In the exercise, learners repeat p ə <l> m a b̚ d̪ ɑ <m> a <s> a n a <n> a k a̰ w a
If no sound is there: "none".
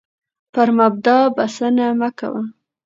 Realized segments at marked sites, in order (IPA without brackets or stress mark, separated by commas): ɾ, b, s, m